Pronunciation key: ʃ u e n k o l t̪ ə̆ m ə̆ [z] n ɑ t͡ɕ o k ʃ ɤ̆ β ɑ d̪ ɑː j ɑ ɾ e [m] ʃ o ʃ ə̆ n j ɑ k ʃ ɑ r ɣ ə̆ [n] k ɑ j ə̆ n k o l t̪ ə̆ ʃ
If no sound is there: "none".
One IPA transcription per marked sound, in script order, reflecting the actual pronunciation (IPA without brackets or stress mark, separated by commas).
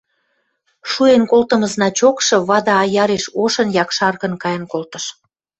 z, none, n